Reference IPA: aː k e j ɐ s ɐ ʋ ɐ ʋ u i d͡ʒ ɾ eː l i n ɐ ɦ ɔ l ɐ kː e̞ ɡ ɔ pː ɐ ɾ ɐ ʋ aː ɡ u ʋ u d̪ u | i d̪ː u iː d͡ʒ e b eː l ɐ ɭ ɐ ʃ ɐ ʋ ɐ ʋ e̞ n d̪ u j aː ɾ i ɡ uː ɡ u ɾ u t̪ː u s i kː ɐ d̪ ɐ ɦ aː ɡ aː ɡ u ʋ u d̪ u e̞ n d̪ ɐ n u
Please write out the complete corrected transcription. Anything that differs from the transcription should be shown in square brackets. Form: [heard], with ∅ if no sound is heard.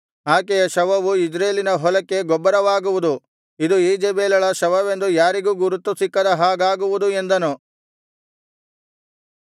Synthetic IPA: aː k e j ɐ [ʃ] ɐ ʋ ɐ ʋ u i d͡ʒ ɾ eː l i n ɐ ɦ ɔ l ɐ kː e̞ ɡ ɔ [bː] ɐ ɾ ɐ ʋ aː ɡ u ʋ u d̪ u | i [d̪] u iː d͡ʒ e b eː l ɐ ɭ ɐ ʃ ɐ ʋ ɐ ʋ e̞ n d̪ u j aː ɾ i ɡ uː ɡ u ɾ u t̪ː u s i kː ɐ d̪ ɐ ɦ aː ɡ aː ɡ u ʋ u d̪ u e̞ n d̪ ɐ n u

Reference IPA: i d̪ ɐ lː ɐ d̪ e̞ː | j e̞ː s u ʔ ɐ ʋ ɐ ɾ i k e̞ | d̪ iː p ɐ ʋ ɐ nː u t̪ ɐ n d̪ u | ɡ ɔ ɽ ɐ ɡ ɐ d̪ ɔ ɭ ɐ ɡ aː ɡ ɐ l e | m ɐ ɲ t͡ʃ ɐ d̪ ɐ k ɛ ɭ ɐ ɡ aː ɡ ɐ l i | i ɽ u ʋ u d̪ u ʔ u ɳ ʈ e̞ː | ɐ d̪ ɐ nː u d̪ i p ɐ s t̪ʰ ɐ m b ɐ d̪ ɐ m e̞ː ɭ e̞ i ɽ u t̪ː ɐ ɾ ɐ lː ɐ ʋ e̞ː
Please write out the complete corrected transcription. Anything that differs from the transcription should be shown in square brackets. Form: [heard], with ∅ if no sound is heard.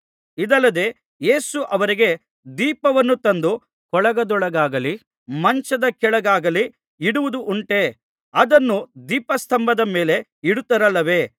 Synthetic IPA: i d̪ ɐ lː ɐ d̪ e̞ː | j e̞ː s u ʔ ɐ ʋ ɐ ɾ i [ɡ] e̞ | d̪ iː p ɐ ʋ ɐ nː u t̪ ɐ n d̪ u | [k] ɔ [ɭ] ɐ ɡ ɐ d̪ ɔ ɭ ɐ ɡ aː ɡ ɐ l [i] | m ɐ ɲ t͡ʃ ɐ d̪ ɐ k ɛ ɭ ɐ ɡ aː ɡ ɐ l i | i ɽ u ʋ u d̪ u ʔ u ɳ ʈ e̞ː | ɐ d̪ ɐ nː u d̪ [iː] p ɐ s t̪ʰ ɐ m b ɐ d̪ ɐ m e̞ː [l] e̞ i ɽ u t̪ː ɐ ɾ ɐ lː ɐ ʋ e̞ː

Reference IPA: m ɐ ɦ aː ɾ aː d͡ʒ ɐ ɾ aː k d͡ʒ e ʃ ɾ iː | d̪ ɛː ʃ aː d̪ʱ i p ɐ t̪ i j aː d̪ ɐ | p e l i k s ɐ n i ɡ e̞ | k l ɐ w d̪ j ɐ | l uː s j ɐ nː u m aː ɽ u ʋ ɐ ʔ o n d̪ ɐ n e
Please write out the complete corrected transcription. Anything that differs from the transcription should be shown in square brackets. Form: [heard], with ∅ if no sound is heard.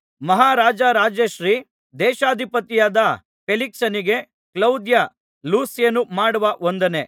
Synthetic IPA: m ɐ ɦ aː ɾ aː d͡ʒ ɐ ɾ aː [∅] d͡ʒ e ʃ ɾ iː | d̪ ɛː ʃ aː d̪ʱ i p ɐ t̪ i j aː d̪ ɐ | p e l i k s ɐ n i ɡ e̞ | k l ɐ w d̪ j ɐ | l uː s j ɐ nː u m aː ɽ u ʋ ɐ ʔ o n d̪ ɐ n e

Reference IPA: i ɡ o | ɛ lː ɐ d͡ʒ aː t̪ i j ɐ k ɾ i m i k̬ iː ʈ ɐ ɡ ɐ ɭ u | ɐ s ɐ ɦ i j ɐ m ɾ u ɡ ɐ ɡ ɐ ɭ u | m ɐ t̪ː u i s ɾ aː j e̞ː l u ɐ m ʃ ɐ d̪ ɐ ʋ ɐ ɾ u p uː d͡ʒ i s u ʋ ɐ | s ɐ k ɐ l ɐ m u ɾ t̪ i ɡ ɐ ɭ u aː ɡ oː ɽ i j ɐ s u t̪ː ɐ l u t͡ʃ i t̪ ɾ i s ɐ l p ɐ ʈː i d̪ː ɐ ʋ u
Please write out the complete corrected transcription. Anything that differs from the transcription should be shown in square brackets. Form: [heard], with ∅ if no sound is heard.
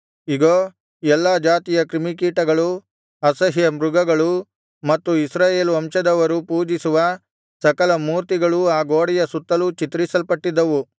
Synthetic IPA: i ɡ o | ɛ lː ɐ d͡ʒ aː t̪ i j ɐ k ɾ i m i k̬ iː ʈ ɐ ɡ ɐ ɭ u | ɐ s ɐ ɦ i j ɐ m ɾ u ɡ ɐ ɡ ɐ ɭ u | m ɐ t̪ː u i s ɾ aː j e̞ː l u ɐ m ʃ ɐ d̪ ɐ ʋ ɐ ɾ u p uː d͡ʒ i s u ʋ ɐ | s ɐ k ɐ l ɐ m [uː] ɾ t̪ i ɡ ɐ ɭ u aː ɡ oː ɽ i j ɐ s u t̪ː ɐ l u t͡ʃ i t̪ ɾ i s ɐ l p ɐ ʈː i d̪ː ɐ ʋ u

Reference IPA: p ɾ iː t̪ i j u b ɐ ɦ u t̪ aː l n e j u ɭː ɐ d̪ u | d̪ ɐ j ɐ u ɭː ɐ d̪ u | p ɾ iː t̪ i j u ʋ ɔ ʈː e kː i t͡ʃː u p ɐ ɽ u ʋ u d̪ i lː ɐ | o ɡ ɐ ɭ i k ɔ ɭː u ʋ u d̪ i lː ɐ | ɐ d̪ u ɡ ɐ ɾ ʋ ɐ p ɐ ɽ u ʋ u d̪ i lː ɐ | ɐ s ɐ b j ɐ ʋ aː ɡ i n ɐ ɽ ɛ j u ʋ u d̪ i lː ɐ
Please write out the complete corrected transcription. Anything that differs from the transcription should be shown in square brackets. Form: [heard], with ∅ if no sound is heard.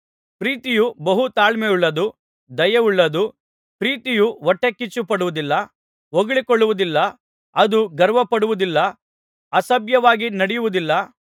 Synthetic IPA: p ɾ iː t̪ i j u b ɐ ɦ u t̪ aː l [m] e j u ɭː ɐ d̪ u | d̪ ɐ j ɐ u ɭː ɐ d̪ u | p ɾ iː t̪ i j u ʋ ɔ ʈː e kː i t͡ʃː u p ɐ ɽ u ʋ u d̪ i lː ɐ | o ɡ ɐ ɭ i k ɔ ɭː u ʋ u d̪ i lː ɐ | ɐ d̪ u ɡ ɐ ɾ ʋ ɐ p ɐ ɽ u ʋ u d̪ i lː ɐ | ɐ s ɐ b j ɐ ʋ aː ɡ i n ɐ ɽ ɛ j u ʋ u d̪ i lː ɐ

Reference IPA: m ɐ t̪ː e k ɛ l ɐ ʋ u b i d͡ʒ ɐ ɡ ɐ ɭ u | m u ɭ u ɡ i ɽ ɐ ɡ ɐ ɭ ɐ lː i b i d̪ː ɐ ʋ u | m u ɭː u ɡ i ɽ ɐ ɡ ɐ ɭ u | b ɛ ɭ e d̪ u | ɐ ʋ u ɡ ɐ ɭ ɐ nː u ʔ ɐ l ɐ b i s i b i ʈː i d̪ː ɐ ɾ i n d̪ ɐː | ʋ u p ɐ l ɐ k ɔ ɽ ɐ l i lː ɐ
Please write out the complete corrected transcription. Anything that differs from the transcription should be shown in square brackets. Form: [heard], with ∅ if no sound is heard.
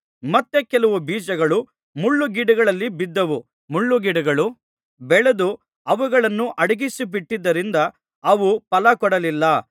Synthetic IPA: m ɐ t̪ː e k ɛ l ɐ ʋ u b [iː] d͡ʒ ɐ ɡ ɐ ɭ u | m u [ɭː] u ɡ i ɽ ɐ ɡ ɐ ɭ ɐ lː i b i d̪ː ɐ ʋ u | m u ɭː u ɡ i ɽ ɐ ɡ ɐ ɭ u | b ɛ ɭ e d̪ u | ɐ ʋ u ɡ ɐ ɭ ɐ nː u ʔ ɐ [ɽ] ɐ [ɡ] i s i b i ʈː i d̪ː ɐ ɾ i n d̪ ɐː | ʋ u p ɐ l ɐ k ɔ ɽ ɐ l i lː ɐ

